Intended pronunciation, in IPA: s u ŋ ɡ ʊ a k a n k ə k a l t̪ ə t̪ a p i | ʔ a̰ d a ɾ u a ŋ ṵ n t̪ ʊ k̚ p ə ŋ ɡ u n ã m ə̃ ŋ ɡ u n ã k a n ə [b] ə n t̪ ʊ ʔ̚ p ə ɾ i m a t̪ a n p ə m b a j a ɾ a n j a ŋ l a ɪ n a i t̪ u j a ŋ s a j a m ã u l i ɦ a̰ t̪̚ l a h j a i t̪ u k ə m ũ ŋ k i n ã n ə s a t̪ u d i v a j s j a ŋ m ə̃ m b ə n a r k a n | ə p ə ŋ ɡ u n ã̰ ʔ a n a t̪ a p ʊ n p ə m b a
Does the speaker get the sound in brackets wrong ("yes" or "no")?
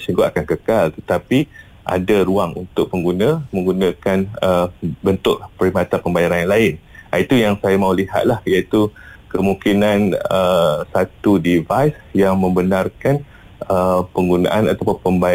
no